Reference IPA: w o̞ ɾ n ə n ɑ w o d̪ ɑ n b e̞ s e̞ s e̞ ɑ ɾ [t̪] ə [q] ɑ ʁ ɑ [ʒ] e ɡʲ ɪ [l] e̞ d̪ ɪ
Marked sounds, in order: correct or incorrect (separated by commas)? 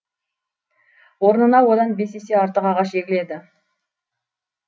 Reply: correct, correct, incorrect, correct